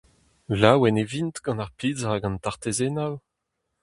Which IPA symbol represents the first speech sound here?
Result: l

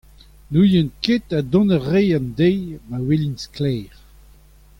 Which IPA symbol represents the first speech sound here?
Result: n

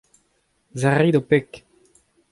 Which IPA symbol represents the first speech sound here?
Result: z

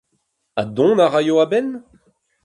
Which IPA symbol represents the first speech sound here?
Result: a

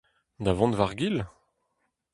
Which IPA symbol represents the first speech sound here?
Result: d̪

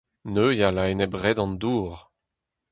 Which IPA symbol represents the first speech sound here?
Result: n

